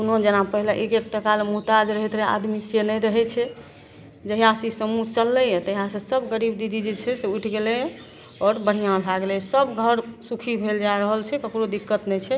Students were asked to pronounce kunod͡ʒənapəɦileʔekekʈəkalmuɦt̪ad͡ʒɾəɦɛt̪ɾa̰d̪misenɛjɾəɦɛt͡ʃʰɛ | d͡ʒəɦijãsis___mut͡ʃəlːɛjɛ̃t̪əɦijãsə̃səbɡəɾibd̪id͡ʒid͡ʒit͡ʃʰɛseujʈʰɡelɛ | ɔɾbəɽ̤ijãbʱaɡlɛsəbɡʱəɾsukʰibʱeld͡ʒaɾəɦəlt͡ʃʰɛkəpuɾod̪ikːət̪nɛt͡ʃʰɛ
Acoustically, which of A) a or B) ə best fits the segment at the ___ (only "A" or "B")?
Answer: B